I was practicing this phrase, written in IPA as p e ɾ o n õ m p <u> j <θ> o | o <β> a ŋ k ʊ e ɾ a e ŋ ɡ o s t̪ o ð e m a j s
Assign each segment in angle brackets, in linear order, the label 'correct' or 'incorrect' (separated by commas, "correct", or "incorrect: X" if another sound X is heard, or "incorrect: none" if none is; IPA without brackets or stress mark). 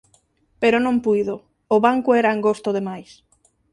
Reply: correct, incorrect: ð, correct